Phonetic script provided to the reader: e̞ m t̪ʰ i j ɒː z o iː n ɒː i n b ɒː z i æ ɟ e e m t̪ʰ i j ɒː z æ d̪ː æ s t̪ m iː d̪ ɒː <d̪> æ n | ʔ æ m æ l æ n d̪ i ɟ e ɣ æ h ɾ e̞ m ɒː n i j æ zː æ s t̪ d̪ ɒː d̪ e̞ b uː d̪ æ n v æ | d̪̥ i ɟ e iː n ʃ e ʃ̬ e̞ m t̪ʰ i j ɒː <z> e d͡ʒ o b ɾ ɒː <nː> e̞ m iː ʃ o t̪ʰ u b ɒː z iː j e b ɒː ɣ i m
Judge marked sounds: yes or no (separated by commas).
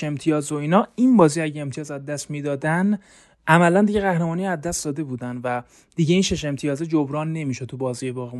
yes, yes, yes